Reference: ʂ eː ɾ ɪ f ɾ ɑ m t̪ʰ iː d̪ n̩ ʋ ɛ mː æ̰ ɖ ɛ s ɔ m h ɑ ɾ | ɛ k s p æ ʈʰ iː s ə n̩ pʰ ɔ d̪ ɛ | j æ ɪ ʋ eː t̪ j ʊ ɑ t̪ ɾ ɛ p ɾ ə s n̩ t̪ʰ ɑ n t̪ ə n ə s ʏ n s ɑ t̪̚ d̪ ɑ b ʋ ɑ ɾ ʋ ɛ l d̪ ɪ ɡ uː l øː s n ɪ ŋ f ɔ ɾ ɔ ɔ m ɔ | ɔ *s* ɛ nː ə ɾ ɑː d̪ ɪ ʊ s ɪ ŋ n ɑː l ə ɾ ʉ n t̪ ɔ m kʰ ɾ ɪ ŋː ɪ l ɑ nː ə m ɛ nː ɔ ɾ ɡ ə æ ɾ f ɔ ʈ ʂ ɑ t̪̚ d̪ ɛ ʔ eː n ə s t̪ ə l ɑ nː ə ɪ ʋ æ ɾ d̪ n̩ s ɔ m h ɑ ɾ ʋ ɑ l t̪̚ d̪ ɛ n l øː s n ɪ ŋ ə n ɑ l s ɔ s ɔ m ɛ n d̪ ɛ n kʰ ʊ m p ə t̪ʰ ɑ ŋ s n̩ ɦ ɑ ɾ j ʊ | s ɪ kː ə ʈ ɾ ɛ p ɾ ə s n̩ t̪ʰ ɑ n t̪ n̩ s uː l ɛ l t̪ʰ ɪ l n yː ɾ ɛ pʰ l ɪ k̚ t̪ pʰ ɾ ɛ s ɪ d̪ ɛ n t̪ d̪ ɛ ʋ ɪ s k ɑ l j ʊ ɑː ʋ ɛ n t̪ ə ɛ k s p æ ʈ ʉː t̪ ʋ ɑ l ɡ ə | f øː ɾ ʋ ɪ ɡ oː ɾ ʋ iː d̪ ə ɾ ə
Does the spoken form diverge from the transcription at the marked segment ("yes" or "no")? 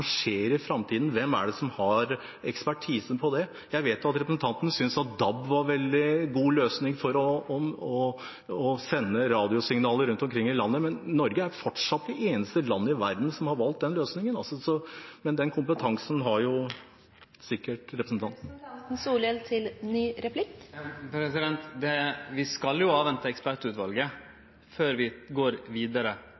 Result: no